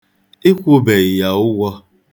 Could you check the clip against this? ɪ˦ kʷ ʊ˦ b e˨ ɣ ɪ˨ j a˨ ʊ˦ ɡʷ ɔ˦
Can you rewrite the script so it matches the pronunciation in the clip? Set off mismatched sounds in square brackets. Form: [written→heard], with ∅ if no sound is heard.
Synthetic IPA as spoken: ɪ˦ kʷ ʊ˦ b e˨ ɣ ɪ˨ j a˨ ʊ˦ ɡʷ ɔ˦

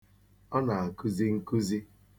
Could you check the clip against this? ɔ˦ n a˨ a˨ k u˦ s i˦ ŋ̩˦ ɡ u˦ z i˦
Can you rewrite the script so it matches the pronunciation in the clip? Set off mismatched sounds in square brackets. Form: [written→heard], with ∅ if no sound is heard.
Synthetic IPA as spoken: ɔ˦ n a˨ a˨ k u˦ [s→z] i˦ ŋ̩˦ [ɡ→k] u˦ z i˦

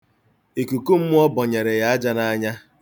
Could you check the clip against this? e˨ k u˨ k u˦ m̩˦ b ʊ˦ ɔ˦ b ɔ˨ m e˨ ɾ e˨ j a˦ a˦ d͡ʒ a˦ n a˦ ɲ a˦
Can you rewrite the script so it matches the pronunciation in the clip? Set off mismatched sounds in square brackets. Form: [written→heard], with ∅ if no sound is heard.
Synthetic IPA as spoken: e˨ k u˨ k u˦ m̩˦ [b→m] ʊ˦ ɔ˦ b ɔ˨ [m→ɲ] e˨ ɾ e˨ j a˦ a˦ d͡ʒ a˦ n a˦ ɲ a˦

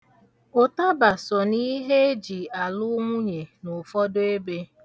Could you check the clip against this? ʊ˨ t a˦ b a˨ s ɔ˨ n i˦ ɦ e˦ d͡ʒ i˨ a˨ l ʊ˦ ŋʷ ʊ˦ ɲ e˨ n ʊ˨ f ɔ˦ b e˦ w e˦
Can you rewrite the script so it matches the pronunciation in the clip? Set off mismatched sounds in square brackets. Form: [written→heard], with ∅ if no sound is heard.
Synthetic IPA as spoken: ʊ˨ t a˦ b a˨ s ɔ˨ n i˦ ɦ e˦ d͡ʒ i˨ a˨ l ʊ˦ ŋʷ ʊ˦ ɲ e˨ n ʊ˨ f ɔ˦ [b→d] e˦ [w→b] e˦

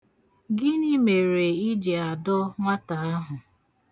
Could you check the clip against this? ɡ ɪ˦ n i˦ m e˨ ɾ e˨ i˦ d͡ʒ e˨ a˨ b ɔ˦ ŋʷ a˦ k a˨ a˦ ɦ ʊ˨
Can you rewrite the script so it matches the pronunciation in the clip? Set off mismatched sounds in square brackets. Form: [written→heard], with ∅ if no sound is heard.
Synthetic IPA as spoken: ɡ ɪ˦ n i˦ m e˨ ɾ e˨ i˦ d͡ʒ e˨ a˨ [b→d] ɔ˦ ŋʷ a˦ [k→t] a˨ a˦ ɦ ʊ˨

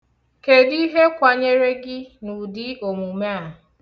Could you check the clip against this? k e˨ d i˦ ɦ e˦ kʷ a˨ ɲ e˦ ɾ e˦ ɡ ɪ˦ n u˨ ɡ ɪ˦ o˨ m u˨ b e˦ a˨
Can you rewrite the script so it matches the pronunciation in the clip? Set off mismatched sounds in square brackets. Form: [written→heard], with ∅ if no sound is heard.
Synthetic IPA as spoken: k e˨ d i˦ ɦ e˦ kʷ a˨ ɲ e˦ ɾ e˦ ɡ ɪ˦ n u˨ [ɡ→d] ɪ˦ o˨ m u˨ [b→m] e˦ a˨

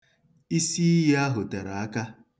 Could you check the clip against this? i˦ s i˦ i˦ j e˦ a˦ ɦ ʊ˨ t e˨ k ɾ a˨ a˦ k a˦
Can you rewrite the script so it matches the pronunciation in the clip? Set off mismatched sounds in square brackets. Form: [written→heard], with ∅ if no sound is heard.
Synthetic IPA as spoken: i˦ s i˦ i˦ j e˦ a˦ ɦ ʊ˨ t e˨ [k→∅] ɾ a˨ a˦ k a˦

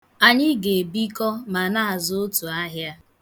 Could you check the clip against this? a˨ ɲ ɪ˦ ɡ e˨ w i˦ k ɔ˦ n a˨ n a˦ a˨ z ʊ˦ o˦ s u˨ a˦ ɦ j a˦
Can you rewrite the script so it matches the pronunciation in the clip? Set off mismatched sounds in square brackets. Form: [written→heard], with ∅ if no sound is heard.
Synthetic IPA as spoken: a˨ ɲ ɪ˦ ɡ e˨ [w→b] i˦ k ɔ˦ [n→m] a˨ n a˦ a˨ z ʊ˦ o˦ [s→t] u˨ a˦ ɦ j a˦

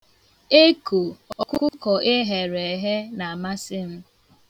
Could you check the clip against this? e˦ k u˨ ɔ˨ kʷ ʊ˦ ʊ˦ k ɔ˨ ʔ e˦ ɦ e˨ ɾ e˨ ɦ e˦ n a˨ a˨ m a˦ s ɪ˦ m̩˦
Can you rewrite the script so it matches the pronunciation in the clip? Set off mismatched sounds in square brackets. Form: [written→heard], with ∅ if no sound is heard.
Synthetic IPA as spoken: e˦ k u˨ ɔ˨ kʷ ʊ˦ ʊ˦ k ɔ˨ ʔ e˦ ɦ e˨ ɾ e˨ ɦ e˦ n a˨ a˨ m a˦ s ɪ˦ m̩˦

